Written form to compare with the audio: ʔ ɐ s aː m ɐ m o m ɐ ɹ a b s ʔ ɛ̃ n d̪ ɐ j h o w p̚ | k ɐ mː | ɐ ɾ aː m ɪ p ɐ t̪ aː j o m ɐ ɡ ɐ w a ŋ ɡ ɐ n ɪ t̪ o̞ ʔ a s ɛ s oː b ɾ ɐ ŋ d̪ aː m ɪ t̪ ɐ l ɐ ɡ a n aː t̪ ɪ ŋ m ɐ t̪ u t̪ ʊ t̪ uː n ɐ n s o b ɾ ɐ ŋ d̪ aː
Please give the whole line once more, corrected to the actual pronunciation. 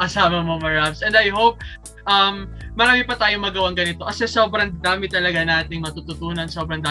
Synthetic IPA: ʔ ɐ s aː m ɐ m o m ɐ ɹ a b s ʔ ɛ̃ n d̪ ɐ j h o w p̚ | ʔ ɐ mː | ɐ ɾ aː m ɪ p ɐ t̪ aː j o m ɐ ɡ ɐ w a ŋ ɡ ɐ n ɪ t̪ o̞ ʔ ɐ s ɛ s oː b ɾ ɐ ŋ d̪ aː m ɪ t̪ ɐ l ɐ ɡ a n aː t̪ ɪ ŋ m ɐ t̪ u t̪ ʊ t̪ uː n ɐ n s o b ɾ ɐ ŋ d̪ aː